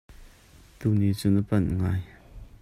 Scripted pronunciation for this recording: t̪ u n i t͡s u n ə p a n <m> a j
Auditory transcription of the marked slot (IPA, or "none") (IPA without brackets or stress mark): ŋ